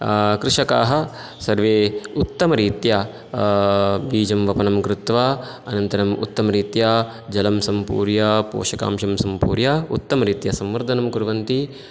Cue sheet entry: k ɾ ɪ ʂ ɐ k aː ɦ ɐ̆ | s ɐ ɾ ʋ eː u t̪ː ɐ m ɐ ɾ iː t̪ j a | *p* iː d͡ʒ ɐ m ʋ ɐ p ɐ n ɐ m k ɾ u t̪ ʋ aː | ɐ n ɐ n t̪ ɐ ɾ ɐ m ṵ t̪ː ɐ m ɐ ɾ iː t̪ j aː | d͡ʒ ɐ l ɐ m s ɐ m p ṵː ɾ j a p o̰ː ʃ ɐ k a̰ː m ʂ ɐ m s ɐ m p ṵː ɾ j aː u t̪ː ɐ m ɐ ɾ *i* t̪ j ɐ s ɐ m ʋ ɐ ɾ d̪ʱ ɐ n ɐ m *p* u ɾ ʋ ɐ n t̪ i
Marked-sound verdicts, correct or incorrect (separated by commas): incorrect, incorrect, incorrect